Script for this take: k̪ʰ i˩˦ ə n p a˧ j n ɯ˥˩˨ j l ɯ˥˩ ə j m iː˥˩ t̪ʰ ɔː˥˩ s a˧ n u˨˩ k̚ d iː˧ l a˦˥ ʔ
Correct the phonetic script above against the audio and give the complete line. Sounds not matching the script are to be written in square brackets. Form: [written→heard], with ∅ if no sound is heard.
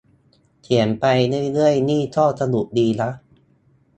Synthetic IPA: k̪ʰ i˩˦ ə n p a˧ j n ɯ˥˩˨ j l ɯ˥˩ ə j [m→n] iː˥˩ t̪ʰ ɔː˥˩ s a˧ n u˨˩ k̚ d iː˧ l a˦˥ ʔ